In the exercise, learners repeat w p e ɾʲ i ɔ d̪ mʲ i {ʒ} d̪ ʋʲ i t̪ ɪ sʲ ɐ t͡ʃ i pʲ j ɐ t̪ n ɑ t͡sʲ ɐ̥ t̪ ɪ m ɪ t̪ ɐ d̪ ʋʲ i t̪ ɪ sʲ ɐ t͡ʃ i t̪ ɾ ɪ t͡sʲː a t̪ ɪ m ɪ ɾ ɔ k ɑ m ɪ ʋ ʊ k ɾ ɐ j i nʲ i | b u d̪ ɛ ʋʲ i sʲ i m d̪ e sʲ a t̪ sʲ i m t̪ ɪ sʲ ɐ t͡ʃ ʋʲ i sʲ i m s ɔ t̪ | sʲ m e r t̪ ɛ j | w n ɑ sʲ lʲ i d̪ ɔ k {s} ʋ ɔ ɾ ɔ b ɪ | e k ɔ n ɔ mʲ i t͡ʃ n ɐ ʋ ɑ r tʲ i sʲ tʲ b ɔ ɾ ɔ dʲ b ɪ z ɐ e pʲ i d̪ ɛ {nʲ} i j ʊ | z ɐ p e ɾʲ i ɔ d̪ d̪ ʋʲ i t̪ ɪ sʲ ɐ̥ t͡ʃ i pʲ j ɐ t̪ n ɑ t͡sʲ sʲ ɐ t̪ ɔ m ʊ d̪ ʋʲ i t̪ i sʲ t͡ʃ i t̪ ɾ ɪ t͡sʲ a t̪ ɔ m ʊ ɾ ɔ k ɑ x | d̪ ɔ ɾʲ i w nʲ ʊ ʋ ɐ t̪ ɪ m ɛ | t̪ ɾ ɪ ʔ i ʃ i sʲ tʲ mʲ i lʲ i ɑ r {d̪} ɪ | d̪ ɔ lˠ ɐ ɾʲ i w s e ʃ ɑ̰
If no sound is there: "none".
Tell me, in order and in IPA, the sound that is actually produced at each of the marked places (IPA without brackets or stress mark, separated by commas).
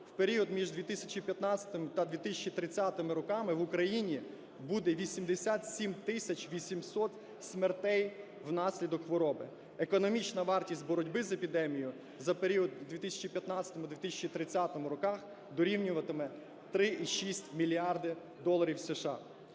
ʒ, x, mʲ, d̪